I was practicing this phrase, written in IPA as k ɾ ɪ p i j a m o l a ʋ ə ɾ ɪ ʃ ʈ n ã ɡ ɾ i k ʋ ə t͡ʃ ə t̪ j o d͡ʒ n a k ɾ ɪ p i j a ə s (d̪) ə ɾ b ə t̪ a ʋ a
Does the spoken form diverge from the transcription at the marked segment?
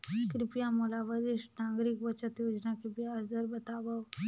no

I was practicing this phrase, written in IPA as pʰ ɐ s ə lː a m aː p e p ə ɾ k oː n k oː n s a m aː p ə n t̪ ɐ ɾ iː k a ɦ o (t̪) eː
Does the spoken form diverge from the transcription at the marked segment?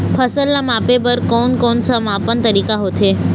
yes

